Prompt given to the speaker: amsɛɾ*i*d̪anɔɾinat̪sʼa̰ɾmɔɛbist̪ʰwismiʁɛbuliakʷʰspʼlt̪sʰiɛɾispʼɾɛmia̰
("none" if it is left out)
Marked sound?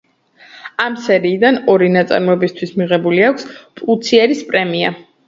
iː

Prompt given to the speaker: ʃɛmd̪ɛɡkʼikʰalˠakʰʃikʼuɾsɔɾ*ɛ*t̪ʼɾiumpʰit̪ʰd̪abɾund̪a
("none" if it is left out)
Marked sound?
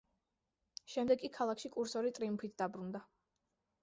i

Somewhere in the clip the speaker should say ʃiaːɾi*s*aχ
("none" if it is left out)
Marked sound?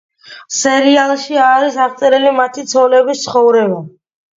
s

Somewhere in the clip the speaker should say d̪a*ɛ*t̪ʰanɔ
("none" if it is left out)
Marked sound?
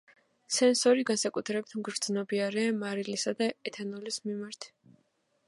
ɛ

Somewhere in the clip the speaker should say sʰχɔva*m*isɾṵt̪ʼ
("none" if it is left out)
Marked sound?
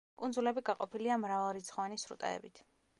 n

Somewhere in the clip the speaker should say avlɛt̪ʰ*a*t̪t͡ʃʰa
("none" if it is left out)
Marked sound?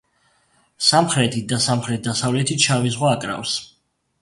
i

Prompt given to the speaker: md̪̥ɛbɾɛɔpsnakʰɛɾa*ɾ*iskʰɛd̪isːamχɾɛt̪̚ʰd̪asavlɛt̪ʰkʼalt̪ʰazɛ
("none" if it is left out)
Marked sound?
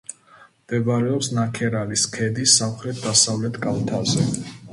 l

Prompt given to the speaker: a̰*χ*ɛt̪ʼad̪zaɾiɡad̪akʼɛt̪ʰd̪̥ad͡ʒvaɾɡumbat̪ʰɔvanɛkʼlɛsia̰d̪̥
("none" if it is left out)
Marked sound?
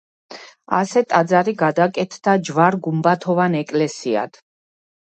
s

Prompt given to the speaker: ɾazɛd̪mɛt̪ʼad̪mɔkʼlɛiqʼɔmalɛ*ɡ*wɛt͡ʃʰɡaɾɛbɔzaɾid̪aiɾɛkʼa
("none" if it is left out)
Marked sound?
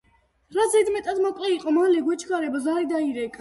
ɡ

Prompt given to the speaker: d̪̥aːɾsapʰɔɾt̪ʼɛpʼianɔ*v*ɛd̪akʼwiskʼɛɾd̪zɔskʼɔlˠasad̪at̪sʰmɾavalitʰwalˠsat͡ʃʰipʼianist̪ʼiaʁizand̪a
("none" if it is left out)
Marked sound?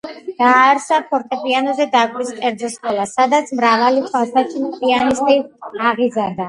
z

